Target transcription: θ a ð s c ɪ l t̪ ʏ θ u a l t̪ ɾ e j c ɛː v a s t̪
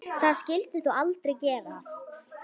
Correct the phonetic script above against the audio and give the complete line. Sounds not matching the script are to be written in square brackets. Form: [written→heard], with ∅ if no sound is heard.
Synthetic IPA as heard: θ a ð s c ɪ l t̪ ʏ θ u a l t̪ ɾ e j c ɛː v a s t̪